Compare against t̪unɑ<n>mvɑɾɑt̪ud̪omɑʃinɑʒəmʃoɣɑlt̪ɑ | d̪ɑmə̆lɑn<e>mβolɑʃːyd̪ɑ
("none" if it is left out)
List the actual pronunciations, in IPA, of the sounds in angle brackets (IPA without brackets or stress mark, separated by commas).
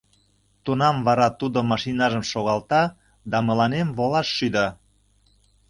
none, e